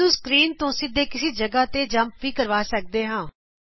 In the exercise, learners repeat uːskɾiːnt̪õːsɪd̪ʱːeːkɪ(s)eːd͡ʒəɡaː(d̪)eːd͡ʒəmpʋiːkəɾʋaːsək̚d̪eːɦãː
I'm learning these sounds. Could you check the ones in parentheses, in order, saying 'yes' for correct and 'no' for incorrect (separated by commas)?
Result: yes, no